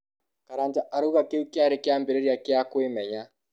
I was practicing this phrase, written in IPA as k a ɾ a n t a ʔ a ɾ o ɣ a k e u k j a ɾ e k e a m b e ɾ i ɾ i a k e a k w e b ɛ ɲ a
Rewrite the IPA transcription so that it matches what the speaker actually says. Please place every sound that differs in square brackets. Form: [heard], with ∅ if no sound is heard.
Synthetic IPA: k a ɾ a n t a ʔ a ɾ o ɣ a k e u k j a ɾ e k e a m b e ɾ [e] ɾ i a k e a k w e [m] ɛ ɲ a